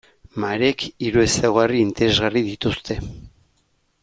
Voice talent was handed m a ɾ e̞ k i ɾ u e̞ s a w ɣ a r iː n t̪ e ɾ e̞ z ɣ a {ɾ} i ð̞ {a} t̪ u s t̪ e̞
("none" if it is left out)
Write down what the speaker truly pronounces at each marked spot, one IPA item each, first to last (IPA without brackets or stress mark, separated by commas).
r, i